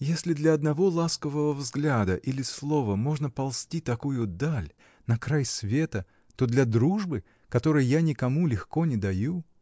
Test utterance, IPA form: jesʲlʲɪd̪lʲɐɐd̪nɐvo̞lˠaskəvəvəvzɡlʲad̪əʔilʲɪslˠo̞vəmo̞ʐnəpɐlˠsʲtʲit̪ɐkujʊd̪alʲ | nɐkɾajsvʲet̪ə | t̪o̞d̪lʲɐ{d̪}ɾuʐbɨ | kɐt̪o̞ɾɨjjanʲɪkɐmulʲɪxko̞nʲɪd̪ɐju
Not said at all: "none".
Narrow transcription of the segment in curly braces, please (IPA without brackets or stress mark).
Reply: d̪